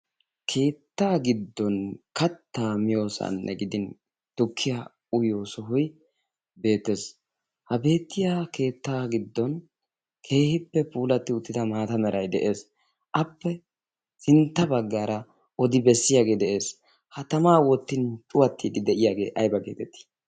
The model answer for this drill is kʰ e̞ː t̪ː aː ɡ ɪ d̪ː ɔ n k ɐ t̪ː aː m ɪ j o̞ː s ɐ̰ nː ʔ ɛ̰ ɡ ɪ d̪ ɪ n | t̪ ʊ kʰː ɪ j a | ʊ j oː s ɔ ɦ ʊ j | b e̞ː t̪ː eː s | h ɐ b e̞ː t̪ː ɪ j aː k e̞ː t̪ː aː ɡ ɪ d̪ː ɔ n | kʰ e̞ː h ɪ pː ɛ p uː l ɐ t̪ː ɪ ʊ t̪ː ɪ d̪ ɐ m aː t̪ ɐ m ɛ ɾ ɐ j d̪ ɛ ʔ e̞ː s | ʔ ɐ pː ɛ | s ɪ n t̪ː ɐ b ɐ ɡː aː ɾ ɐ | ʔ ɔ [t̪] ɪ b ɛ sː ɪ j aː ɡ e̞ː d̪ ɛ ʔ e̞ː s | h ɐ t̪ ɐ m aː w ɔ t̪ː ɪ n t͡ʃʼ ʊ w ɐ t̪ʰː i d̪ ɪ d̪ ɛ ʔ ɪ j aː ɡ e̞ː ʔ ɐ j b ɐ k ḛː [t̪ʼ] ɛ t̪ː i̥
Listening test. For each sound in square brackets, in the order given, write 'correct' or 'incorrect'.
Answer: incorrect: d̪, incorrect: t̪

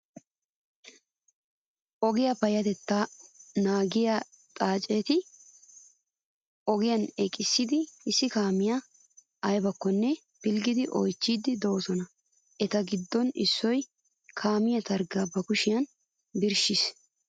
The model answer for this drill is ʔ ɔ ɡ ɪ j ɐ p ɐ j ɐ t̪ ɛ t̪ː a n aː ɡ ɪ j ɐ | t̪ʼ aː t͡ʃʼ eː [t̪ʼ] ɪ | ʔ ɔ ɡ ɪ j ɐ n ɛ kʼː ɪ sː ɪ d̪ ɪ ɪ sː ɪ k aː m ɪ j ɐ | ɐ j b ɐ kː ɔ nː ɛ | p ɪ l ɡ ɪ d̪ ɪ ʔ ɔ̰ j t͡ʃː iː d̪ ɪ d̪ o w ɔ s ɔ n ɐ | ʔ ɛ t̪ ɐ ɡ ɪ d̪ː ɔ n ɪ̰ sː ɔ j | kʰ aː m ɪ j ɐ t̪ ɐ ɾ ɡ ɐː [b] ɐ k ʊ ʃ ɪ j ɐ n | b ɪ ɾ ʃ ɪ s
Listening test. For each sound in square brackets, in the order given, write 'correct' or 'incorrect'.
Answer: incorrect: t̪, correct

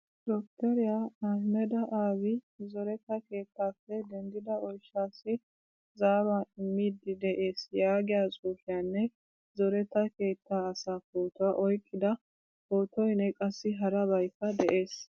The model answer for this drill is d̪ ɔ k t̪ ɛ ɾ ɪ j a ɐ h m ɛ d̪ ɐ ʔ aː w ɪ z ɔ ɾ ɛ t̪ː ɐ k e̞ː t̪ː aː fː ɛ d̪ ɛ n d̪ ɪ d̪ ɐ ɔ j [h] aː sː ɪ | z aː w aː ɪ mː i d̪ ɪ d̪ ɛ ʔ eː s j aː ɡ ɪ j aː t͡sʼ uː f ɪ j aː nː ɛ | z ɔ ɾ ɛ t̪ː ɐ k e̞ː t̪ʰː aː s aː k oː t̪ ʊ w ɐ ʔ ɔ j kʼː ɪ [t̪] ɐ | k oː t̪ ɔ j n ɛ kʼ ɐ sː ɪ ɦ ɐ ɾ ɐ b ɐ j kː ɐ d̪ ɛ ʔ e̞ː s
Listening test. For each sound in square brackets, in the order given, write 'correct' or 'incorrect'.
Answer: incorrect: ʃ, incorrect: d̪

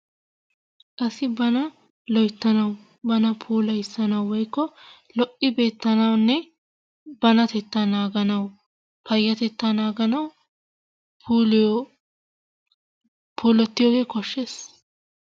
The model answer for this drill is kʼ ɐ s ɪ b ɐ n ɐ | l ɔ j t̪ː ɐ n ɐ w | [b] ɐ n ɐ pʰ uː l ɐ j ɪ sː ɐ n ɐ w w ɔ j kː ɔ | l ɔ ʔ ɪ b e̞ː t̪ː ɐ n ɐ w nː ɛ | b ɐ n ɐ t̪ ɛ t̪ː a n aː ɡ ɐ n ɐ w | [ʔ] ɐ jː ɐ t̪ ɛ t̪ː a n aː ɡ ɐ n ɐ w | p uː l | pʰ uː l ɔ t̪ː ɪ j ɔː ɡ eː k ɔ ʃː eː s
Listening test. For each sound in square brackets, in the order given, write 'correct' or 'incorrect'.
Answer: correct, incorrect: p

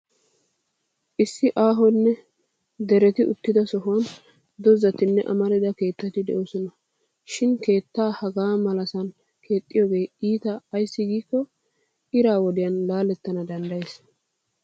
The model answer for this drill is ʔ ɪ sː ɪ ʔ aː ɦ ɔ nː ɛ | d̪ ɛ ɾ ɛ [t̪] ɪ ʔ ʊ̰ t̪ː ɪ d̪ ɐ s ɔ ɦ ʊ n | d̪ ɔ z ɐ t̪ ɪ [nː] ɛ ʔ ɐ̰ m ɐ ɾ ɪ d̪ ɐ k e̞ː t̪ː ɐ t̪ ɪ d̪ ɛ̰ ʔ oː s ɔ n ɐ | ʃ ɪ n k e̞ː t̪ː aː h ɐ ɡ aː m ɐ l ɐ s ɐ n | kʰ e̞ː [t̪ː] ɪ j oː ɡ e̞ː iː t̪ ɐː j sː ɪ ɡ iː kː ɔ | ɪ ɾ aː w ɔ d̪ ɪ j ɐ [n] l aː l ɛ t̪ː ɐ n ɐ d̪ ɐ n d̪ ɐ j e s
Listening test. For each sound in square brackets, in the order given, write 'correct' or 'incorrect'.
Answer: correct, correct, incorrect: t̪ʼː, correct

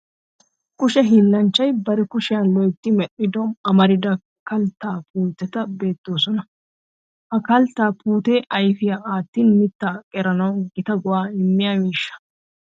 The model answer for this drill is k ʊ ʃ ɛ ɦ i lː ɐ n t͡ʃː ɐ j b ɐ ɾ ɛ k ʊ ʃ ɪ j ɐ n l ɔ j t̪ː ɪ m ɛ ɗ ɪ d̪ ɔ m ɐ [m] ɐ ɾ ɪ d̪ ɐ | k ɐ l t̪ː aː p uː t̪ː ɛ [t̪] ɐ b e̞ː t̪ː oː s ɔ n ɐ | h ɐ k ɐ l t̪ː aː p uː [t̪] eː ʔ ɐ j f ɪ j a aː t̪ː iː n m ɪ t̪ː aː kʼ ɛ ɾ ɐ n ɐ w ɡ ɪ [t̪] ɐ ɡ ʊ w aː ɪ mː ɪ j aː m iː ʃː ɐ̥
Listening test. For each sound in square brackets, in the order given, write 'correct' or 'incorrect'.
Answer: correct, correct, correct, correct

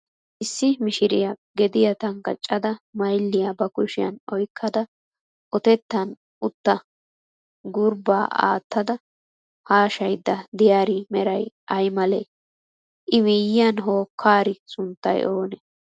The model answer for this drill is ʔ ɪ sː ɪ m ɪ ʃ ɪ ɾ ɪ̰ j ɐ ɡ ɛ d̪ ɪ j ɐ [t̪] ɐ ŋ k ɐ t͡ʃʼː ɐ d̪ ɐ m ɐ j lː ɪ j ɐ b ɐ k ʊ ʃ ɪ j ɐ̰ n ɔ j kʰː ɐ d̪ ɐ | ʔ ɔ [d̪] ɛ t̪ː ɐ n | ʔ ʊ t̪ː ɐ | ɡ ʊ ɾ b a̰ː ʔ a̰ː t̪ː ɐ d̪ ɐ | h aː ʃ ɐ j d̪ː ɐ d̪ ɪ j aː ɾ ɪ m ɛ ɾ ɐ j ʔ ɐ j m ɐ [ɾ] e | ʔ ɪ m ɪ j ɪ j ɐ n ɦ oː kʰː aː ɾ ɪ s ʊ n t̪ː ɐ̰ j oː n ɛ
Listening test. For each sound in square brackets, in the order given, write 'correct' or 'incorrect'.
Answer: correct, incorrect: t̪, incorrect: l

